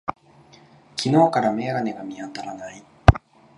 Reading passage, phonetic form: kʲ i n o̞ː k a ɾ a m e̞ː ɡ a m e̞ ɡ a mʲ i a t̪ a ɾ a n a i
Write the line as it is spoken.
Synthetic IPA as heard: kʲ i n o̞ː k a ɾ a m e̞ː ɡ a n e̞ ɡ a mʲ i a t̪ a ɾ a n a i